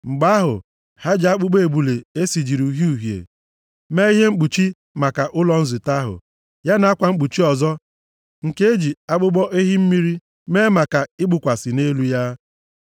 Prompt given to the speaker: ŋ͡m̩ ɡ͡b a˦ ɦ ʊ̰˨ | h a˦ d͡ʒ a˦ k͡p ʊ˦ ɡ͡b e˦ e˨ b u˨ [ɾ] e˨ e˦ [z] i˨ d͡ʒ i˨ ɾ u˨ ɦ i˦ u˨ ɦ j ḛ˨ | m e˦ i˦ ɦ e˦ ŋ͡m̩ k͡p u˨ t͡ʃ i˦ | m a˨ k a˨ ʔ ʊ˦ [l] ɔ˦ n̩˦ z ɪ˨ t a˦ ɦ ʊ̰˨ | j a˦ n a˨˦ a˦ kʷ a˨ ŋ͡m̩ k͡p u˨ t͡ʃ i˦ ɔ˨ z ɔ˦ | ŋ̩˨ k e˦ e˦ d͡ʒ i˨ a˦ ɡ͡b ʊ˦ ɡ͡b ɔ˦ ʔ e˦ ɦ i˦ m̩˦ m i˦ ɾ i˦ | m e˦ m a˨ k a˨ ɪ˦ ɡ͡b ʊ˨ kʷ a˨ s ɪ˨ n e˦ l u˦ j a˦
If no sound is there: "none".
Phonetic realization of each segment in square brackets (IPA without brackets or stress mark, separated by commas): l, s, l